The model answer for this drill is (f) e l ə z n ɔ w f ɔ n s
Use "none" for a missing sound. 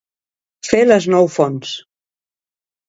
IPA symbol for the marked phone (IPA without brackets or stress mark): f